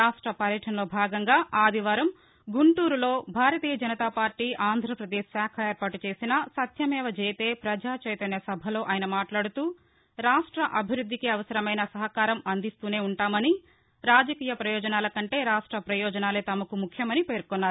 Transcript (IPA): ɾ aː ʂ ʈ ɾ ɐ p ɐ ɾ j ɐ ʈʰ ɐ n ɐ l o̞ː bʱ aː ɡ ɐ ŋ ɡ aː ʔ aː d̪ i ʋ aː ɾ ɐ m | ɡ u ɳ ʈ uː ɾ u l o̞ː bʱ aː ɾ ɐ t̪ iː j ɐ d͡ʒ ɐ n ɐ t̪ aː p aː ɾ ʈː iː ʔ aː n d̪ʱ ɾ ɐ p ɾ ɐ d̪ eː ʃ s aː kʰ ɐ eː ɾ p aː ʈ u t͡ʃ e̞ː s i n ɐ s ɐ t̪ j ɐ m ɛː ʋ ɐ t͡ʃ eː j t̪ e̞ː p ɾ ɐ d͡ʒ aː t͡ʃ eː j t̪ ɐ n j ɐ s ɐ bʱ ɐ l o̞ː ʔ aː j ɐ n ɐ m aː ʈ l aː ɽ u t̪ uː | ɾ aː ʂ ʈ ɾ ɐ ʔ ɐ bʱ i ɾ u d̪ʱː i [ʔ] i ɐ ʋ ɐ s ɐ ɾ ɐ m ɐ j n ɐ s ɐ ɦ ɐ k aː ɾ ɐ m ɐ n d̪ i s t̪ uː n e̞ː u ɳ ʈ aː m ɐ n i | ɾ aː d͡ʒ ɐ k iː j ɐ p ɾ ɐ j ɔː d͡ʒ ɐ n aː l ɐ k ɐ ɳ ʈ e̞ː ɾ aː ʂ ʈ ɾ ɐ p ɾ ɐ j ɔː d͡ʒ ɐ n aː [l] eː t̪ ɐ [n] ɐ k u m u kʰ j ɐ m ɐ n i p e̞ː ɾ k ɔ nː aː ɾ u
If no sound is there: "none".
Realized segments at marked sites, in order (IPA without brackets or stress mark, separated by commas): k, l, m